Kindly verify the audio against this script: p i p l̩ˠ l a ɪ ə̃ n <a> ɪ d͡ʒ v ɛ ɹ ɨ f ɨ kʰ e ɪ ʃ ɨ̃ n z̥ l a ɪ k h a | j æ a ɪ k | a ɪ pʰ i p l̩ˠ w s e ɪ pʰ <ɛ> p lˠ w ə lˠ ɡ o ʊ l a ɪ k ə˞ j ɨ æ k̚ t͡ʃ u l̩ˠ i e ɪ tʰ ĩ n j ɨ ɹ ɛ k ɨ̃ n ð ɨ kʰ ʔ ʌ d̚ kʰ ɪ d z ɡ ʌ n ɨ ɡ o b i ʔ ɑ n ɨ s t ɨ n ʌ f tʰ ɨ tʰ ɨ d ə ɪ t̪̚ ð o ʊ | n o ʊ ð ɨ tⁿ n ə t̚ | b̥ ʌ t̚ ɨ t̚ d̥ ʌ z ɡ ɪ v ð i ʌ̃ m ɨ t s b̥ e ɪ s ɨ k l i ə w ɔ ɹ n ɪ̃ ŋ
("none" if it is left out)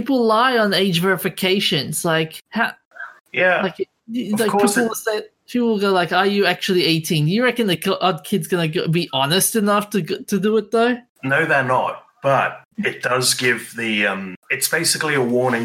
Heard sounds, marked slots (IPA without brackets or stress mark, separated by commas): e, i